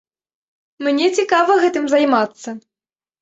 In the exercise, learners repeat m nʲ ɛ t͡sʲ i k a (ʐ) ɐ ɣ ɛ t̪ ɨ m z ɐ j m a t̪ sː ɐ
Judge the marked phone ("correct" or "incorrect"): incorrect